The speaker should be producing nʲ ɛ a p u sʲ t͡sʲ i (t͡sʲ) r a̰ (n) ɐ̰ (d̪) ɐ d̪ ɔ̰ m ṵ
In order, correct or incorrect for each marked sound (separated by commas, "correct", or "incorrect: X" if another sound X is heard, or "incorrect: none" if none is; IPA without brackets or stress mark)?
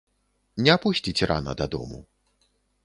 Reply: correct, correct, correct